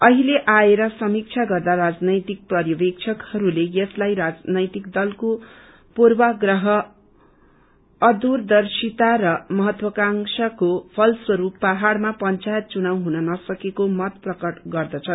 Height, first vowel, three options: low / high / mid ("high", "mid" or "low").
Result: mid